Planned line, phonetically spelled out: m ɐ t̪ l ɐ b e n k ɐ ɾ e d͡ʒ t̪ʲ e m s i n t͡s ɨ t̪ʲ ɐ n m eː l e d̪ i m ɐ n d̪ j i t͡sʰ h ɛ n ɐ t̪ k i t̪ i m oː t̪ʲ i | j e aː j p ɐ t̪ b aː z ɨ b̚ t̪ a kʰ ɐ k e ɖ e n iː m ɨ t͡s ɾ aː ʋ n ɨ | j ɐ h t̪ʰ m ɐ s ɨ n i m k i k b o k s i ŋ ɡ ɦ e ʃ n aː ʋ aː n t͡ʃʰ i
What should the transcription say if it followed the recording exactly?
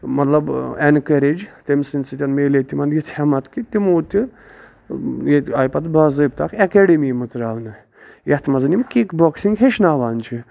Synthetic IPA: m ɐ t̪ l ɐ b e n k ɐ ɾ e d͡ʒ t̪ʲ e m s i n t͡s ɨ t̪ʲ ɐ n m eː l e t̪ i m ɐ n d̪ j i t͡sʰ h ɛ m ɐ t̪ k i t̪ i m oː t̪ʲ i | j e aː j p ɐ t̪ b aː z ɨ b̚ t̪ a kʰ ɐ k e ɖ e m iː m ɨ t͡s ɾ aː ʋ n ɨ | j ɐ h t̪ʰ m ɐ z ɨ n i m k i k b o k s i ŋ ɡ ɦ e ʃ n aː ʋ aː n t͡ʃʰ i

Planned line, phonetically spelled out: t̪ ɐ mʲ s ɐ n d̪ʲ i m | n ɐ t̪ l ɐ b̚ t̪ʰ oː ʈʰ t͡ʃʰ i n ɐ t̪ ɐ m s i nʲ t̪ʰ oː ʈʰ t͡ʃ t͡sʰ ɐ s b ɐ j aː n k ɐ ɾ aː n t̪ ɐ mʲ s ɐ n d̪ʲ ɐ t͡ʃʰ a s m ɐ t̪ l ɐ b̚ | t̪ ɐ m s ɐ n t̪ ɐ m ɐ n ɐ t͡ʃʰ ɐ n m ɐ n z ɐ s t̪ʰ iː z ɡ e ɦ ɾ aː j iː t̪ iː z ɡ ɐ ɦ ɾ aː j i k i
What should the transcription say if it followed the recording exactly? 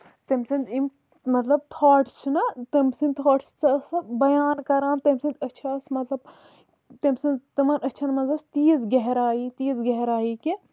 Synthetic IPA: t̪ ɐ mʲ s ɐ n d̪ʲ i m | m ɐ t̪ l ɐ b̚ t̪ʰ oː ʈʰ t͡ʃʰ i n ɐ t̪ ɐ m s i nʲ t̪ʰ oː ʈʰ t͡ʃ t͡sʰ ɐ s b ɐ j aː n k ɐ ɾ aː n t̪ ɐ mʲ s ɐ n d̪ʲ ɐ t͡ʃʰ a s m ɐ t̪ l ɐ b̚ | t̪ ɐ m s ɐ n t̪ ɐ m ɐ n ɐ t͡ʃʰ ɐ n m ɐ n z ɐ s t̪ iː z ɡ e ɦ ɾ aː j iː t̪ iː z ɡ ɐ ɦ ɾ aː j i k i

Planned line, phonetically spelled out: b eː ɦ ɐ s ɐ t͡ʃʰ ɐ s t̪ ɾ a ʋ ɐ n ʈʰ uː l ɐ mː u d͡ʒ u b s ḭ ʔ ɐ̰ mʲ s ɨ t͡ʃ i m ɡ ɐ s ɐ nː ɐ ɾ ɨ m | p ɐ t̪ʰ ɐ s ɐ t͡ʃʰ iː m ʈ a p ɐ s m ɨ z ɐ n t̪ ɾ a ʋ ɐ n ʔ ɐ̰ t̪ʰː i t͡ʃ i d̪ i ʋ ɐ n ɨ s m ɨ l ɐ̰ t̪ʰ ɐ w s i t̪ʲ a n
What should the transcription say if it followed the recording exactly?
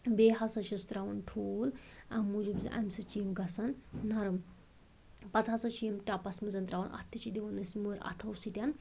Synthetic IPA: b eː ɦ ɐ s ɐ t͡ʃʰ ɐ s t̪ ɾ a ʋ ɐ n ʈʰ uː l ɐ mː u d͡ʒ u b z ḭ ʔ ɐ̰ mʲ s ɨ t͡ʃ i m ɡ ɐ s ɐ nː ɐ ɾ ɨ m | p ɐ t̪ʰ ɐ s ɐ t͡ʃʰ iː m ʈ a p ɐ s m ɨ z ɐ n t̪ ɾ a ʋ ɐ n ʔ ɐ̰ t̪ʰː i t͡ʃ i d̪ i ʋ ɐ n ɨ s m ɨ ɾ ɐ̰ t̪ʰ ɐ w s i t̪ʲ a n

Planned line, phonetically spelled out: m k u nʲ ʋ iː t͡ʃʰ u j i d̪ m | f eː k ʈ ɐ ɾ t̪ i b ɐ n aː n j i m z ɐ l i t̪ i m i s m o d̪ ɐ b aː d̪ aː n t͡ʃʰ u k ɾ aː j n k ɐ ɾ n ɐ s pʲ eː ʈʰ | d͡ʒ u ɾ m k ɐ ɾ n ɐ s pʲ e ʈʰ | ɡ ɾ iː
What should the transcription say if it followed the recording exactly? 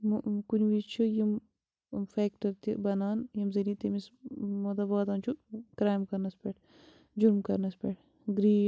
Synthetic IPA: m k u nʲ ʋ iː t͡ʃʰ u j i m | f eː k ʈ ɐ ɾ t̪ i b ɐ n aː n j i m z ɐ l i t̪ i m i s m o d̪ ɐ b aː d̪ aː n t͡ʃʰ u k ɾ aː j m k ɐ ɾ n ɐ s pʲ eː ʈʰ | d͡ʒ u ɾ m k ɐ ɾ n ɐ s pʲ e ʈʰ | ɡ ɾ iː

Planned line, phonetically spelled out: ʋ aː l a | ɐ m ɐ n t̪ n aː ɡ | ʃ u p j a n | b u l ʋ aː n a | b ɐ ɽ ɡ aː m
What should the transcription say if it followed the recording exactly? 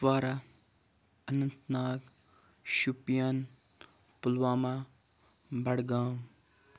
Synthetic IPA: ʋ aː ɾ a | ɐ n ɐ n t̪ n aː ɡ | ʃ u p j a n | p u l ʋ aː m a | b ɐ ɽ ɡ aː m

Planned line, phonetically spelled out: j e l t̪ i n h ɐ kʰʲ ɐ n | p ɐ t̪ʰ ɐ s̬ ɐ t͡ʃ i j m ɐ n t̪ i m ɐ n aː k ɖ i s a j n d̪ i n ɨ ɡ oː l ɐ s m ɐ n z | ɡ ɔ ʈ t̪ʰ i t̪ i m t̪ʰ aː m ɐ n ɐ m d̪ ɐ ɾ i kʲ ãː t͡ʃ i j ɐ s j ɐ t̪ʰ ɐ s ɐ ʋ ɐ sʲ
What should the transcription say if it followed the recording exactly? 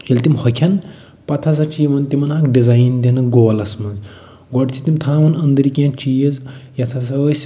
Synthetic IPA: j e l t̪ i m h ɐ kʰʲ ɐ n | p ɐ t̪ʰ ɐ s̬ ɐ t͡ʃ i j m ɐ n t̪ i m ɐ n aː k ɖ i z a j n d̪ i n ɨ ɡ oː l ɐ s m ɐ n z | ɡ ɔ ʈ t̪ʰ i t̪ i m t̪ʰ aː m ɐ n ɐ n d̪ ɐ ɾ i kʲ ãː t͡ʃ i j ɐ z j ɐ t̪ʰ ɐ s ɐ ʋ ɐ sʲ

